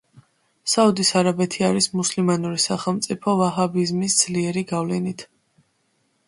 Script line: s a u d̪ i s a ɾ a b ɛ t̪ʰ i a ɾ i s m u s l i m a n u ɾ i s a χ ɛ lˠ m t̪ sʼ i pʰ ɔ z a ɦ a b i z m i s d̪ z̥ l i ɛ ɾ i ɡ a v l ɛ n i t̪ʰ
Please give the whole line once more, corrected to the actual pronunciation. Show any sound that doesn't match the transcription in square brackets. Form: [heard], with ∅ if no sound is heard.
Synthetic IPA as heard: s a u d̪ i s a ɾ a b ɛ t̪ʰ i a ɾ i s m u s l i m a n u ɾ i s a χ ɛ lˠ m t̪ sʼ i pʰ ɔ [v] a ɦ a b i z m i s d̪ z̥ l i ɛ ɾ i ɡ a v l ɛ n i t̪ʰ